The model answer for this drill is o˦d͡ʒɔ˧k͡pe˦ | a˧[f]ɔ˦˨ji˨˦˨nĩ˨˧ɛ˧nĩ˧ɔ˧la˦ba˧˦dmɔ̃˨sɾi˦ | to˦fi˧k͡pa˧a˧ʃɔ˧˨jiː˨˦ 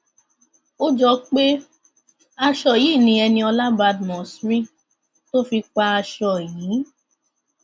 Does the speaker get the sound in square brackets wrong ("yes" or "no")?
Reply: yes